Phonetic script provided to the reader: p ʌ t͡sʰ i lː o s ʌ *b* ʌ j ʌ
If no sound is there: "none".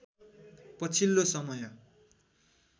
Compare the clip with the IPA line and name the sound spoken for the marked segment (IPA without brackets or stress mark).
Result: m